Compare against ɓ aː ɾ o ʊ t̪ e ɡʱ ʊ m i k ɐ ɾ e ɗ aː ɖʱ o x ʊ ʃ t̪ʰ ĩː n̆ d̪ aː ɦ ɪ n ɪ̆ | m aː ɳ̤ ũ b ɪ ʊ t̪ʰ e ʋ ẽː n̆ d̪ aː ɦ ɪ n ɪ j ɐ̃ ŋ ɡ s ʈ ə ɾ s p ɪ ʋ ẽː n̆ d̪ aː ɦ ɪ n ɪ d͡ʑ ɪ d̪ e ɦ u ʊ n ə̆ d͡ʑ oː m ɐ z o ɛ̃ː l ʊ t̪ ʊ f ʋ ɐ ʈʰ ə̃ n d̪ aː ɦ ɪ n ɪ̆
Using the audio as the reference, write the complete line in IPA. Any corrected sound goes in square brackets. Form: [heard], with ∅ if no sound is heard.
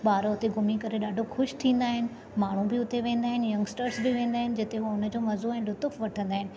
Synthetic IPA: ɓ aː ɾ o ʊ t̪ e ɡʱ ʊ m i k ɐ ɾ e ɗ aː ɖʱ o x ʊ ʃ t̪ʰ ĩː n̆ d̪ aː ɦ ɪ n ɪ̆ | m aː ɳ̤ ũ b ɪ ʊ [t̪] e ʋ ẽː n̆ d̪ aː ɦ ɪ n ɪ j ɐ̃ ŋ ɡ s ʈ ə ɾ s [b] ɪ ʋ ẽː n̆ d̪ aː ɦ ɪ n ɪ d͡ʑ ɪ [t̪] e ɦ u ʊ n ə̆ d͡ʑ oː m ɐ z o ɛ̃ː l ʊ t̪ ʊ f ʋ ɐ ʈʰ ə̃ n d̪ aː ɦ ɪ n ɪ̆

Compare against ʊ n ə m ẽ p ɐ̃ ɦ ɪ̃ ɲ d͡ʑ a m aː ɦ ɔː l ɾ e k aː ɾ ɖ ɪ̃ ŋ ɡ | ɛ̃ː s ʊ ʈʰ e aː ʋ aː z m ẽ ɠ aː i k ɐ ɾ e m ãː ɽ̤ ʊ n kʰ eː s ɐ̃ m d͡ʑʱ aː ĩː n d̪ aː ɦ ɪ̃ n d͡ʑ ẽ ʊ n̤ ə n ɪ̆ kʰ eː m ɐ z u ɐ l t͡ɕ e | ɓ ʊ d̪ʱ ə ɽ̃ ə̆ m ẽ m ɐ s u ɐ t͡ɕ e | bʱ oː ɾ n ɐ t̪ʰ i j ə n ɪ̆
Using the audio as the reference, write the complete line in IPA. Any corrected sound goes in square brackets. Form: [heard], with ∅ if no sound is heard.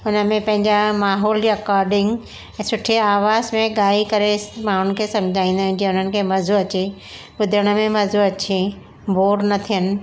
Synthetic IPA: ʊ n ə m ẽ p ɐ̃ ɦ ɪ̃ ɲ d͡ʑ a m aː ɦ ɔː l ɾ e k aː ɾ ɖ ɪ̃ ŋ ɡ | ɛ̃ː s ʊ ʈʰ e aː ʋ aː z m ẽ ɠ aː i k ɐ ɾ e m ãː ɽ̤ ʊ n kʰ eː s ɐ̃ m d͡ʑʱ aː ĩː n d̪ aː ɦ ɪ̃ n d͡ʑ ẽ ʊ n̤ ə n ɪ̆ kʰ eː m ɐ z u ɐ [∅] t͡ɕ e | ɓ ʊ d̪ʱ ə ɽ̃ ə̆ m ẽ m ɐ [z] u ɐ t͡ɕ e | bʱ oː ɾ n ɐ t̪ʰ i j ə n ɪ̆

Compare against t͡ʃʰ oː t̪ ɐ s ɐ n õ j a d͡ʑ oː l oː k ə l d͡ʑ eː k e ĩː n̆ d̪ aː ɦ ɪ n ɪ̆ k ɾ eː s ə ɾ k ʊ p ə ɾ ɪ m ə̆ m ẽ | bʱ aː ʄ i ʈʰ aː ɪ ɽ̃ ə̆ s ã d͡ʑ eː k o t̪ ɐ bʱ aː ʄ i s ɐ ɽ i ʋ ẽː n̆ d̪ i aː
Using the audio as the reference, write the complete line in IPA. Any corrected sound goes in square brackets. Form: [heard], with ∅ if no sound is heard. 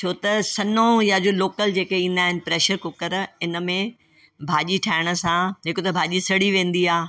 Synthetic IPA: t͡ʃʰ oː t̪ ɐ s ɐ n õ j a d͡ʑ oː l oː k ə l d͡ʑ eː k e ĩː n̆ d̪ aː ɦ ɪ n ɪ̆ [p] ɾ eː [ʃ] ə ɾ k ʊ [k] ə ɾ ɪ [n] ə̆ m ẽ | bʱ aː ʄ i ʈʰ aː ɪ ɽ̃ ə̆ s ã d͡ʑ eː k o t̪ ɐ bʱ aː ʄ i s ɐ ɽ i ʋ ẽː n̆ d̪ i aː

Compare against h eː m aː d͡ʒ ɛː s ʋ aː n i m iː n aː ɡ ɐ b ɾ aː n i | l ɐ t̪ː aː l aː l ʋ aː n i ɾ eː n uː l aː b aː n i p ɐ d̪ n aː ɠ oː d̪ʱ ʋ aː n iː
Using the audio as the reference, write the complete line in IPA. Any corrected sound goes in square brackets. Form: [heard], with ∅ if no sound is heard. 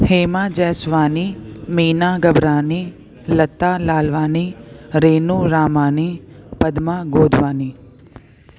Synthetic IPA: h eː m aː d͡ʒ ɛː s ʋ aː n i m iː n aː ɡ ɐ b ɾ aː n i | l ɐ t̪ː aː l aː l ʋ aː n i ɾ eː n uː [ɾ] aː [m] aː n i p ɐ d̪ [m] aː [ɡ] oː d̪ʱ ʋ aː n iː

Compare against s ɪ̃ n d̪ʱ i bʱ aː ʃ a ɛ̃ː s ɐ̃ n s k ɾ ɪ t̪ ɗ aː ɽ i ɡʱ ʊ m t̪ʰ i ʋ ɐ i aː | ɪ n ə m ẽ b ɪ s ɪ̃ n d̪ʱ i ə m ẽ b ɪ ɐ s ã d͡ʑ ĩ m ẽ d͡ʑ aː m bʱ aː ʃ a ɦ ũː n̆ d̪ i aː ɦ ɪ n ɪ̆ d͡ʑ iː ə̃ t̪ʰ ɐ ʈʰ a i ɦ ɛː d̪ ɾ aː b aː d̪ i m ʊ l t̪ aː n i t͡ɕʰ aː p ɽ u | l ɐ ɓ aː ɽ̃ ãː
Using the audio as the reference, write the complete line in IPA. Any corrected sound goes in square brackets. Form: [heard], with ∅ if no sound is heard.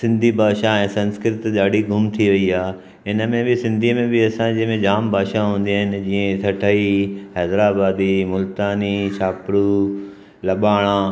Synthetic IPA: s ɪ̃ n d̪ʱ i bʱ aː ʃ a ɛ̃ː s ɐ̃ n s k ɾ ɪ t̪ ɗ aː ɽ i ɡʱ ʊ m t̪ʰ i ʋ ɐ i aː | ɪ n ə m ẽ b ɪ s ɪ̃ n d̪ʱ i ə m ẽ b ɪ ɐ s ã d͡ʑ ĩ m ẽ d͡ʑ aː m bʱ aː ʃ a ɦ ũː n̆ d̪ i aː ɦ ɪ n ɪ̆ d͡ʑ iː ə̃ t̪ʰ ɐ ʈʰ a i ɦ ɛː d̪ ɾ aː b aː d̪ i m ʊ l t̪ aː n i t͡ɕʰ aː p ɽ u | l ɐ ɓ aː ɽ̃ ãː

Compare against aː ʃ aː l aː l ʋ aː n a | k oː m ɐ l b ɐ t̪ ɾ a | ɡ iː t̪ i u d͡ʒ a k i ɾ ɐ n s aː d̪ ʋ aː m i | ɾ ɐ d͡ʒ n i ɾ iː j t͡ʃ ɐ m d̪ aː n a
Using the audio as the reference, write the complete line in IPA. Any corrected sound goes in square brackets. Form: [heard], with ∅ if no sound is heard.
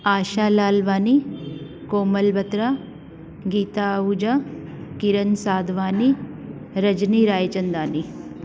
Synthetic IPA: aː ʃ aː l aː l ʋ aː n [i] | k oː m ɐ l b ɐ t̪ ɾ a | ɡ iː t̪ [a] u d͡ʒ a k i ɾ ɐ n s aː d̪ ʋ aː [n] i | ɾ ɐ d͡ʒ n i ɾ [aː] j t͡ʃ ɐ [n] d̪ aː n [i]

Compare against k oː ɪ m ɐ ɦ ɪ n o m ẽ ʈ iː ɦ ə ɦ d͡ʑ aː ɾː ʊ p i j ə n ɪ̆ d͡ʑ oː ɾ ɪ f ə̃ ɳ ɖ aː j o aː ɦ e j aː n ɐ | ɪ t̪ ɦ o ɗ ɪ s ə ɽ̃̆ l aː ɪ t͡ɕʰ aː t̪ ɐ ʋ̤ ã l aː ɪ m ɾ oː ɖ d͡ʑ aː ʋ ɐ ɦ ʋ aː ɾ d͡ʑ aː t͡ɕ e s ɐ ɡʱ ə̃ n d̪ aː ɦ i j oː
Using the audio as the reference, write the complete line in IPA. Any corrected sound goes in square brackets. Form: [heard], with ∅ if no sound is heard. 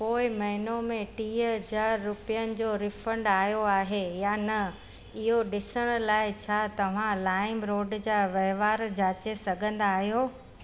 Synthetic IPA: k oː ɪ m ɐ ɦ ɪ n o m ẽ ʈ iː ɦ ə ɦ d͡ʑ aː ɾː ʊ p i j ə n ɪ̆ d͡ʑ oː ɾ ɪ f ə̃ ɳ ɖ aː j o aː ɦ e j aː n ɐ | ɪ [∅] ɦ o ɗ ɪ s ə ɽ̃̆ l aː ɪ t͡ɕʰ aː t̪ ɐ ʋ̤ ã l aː ɪ m ɾ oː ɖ d͡ʑ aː ʋ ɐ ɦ ʋ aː ɾ d͡ʑ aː t͡ɕ e s ɐ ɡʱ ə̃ n d̪ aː ɦ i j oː

